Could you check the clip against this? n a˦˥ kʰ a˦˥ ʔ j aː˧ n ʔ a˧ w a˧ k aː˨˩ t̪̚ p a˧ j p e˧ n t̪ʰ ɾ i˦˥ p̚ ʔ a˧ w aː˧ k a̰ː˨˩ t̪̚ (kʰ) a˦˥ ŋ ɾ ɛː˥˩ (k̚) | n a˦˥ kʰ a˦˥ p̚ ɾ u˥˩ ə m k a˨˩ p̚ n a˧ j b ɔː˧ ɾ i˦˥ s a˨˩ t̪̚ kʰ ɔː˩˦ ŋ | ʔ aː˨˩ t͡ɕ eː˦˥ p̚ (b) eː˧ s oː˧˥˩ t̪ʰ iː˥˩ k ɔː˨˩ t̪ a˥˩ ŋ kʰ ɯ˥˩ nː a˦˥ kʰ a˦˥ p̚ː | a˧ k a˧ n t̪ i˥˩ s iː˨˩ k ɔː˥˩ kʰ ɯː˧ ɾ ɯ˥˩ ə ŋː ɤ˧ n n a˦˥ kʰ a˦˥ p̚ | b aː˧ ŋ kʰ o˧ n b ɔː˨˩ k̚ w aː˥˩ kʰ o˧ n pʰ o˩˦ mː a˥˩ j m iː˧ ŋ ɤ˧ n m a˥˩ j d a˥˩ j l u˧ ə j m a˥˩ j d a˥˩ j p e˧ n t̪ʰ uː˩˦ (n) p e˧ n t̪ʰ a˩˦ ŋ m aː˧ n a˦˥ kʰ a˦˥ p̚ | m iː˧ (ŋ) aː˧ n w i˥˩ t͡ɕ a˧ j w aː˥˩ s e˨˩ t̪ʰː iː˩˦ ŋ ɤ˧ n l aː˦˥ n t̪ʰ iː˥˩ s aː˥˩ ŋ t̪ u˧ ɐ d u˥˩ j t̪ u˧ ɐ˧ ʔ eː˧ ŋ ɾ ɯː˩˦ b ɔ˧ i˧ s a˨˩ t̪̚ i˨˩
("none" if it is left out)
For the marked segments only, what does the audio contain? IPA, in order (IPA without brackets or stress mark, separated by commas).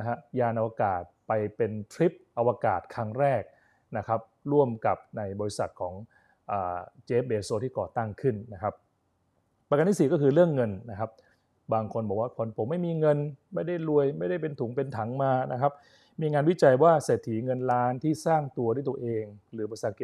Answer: kʰ, k̚, b, ŋ, ŋ